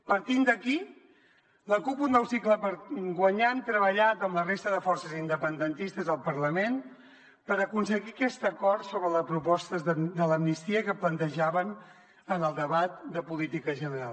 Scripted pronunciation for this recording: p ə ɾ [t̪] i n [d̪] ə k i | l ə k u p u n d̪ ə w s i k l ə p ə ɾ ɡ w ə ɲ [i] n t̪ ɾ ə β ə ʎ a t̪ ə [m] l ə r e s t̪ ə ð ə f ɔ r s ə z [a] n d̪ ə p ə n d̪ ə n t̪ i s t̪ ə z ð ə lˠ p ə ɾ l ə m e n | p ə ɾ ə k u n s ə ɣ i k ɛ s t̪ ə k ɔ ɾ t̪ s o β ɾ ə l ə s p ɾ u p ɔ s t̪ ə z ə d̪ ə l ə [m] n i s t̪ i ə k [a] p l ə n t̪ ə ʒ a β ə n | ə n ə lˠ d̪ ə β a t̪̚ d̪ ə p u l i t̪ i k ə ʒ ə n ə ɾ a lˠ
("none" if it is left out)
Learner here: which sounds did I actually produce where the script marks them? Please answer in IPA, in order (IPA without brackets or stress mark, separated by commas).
t̪, d̪, a, m, i, m, ə